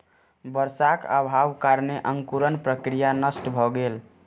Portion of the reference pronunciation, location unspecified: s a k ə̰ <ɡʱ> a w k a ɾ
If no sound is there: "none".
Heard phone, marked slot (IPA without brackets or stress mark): bʱ